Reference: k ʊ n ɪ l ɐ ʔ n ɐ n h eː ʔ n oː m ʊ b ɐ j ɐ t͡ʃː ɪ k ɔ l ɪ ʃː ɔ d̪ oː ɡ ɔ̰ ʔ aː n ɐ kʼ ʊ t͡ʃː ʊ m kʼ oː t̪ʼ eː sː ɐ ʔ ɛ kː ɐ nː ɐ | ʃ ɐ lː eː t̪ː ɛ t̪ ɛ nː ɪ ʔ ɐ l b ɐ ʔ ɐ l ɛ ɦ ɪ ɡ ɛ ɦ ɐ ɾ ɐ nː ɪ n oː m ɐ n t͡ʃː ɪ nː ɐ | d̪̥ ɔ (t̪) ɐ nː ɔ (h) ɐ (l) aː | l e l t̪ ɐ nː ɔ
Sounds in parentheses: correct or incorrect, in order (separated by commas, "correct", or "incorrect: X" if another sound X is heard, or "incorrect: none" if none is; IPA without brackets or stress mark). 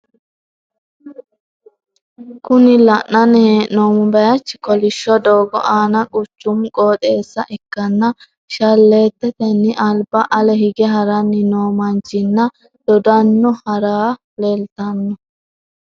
incorrect: d̪, correct, incorrect: ɾ